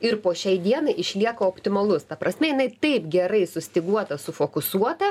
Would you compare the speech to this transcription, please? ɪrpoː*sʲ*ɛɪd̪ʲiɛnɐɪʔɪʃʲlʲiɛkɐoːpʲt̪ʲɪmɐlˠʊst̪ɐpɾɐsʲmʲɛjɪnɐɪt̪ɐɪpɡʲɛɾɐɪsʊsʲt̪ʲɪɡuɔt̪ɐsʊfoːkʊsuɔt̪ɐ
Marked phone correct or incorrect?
incorrect